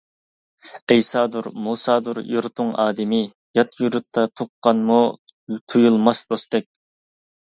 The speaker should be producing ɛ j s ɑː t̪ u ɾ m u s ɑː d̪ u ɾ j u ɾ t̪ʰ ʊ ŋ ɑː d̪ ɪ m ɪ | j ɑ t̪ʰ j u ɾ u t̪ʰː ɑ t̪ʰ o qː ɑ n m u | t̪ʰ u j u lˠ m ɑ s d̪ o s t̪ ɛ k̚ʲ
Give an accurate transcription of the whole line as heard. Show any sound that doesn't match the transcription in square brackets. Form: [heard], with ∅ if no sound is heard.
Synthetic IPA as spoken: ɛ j s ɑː [d̪] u ɾ m u s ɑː d̪ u ɾ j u ɾ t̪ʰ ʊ ŋ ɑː d̪ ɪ m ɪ | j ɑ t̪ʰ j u ɾ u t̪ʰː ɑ t̪ʰ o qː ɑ n m u | t̪ʰ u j u lˠ m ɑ s d̪ o s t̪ ɛ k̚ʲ

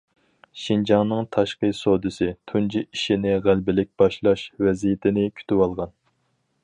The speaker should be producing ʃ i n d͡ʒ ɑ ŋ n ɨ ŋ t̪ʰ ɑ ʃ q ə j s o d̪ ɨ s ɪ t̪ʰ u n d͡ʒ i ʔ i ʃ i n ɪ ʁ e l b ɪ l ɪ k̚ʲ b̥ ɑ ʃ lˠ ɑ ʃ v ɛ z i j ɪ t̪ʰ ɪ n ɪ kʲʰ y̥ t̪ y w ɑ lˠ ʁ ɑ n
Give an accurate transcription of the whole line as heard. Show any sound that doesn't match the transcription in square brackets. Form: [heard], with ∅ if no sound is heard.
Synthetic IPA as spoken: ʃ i n d͡ʒ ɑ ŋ n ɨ ŋ t̪ʰ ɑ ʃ q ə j s o d̪ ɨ s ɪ t̪ʰ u n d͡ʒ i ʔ i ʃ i n ɪ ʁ [æ] l b ɪ l ɪ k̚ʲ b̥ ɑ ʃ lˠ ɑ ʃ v ɛ z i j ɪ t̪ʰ ɪ n ɪ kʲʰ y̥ t̪ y w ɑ lˠ ʁ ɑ n

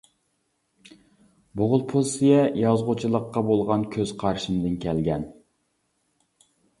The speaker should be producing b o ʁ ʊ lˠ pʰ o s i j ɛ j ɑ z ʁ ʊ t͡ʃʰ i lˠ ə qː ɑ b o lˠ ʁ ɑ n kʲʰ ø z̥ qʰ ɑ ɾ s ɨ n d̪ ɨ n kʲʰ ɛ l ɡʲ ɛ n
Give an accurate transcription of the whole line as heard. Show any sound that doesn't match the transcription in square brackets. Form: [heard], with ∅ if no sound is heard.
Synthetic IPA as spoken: b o ʁ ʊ lˠ pʰ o s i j ɛ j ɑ z ʁ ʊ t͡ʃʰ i lˠ ə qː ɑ b o lˠ ʁ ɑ n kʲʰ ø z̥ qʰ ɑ ɾ [ʃ] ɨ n d̪ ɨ n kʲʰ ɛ l ɡʲ ɛ n

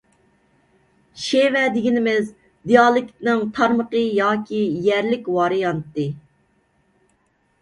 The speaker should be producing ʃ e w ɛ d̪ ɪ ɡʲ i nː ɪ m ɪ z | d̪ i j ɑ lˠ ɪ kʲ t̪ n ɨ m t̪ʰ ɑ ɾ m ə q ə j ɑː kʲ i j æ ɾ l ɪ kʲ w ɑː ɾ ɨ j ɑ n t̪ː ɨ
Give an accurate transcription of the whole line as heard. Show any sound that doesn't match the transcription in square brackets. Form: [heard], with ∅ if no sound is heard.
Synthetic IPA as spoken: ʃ e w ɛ d̪ ɪ ɡʲ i [n] ɪ m ɪ z | d̪ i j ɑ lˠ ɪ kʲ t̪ n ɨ [ŋ] t̪ʰ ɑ ɾ m ə q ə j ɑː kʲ i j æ ɾ l ɪ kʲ w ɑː ɾ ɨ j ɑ n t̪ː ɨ

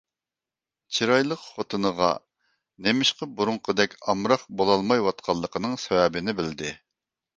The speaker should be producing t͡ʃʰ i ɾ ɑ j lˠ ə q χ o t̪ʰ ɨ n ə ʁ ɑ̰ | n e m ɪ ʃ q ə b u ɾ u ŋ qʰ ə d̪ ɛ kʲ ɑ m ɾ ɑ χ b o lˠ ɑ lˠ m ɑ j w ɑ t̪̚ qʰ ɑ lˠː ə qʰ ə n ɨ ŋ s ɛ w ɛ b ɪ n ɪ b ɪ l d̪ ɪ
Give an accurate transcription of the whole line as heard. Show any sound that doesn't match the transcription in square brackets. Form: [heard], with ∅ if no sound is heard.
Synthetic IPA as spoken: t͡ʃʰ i ɾ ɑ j lˠ ə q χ o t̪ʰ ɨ n ə ʁ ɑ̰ | n e m ɪ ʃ q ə b u ɾ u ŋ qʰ ə d̪ ɛ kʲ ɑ m ɾ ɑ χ b o lˠ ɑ lˠ m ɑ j w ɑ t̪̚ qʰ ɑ lˠː ə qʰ ə n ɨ ŋ s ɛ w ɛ b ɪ n ɪ b ɪ l d̪ ɪ

